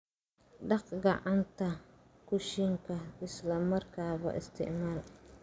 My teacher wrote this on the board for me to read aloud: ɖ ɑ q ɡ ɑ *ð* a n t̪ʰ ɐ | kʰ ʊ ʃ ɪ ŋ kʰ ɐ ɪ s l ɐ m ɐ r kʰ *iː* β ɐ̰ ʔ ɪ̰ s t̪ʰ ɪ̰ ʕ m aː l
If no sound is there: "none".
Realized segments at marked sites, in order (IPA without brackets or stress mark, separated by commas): ʕ, aː